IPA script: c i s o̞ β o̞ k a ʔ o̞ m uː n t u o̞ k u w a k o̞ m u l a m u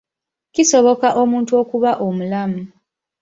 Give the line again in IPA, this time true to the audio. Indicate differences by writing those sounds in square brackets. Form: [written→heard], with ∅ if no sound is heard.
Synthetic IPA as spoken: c i s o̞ β o̞ k a ʔ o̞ m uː n t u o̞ k u [w→β] a [k→ʔ] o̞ m u l a m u